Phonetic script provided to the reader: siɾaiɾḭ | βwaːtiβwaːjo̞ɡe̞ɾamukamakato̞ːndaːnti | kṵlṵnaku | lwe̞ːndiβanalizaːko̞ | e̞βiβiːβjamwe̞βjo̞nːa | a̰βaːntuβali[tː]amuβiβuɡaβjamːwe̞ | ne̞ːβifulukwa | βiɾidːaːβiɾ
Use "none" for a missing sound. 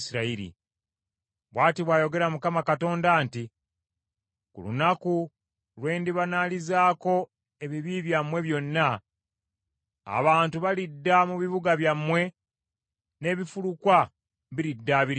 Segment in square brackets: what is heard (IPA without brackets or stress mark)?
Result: dː